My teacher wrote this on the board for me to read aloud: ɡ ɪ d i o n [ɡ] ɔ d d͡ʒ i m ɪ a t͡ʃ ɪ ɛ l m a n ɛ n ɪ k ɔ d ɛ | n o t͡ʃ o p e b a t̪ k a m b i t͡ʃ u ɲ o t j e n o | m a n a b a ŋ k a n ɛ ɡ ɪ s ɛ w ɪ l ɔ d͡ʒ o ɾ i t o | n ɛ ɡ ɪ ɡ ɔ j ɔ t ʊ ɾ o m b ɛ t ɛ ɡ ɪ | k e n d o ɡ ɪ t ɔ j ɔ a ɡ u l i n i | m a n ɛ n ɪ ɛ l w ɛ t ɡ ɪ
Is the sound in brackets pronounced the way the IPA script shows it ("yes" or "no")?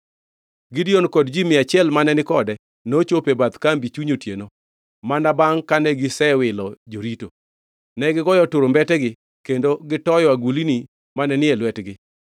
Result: no